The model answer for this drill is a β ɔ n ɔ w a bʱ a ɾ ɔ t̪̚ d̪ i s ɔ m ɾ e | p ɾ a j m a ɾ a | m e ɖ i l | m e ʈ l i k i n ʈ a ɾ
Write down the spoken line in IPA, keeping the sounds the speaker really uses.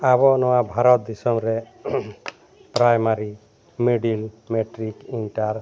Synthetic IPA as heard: a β ɔ n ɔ w a bʱ a ɾ ɔ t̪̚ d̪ i s ɔ m ɾ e | p ɾ a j m a ɾ i | m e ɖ i l | m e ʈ ɾ i k i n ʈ a ɾ